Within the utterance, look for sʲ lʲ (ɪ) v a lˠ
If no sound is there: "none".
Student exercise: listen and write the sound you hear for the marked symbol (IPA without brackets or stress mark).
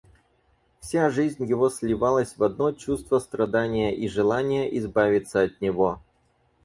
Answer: ɪ